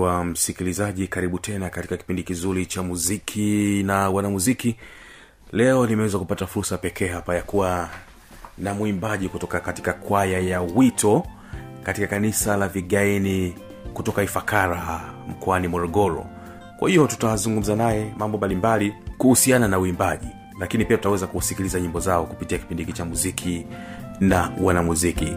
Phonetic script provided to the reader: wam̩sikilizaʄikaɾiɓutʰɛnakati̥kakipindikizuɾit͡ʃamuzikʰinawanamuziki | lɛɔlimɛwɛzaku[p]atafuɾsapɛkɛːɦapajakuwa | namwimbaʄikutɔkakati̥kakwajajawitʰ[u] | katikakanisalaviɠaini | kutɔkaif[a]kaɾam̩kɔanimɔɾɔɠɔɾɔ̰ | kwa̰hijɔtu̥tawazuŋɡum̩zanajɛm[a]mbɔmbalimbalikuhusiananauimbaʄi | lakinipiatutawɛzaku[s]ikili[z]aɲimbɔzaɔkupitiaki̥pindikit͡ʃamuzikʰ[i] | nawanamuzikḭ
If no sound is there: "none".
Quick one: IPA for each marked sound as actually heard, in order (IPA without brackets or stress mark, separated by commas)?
p, ɔ, a, a, s, z, i